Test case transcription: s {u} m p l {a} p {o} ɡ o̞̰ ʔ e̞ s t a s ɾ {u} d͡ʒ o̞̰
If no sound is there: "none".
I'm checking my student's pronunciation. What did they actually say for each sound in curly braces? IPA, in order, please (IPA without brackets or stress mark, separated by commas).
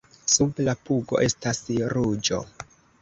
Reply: u, a, u, u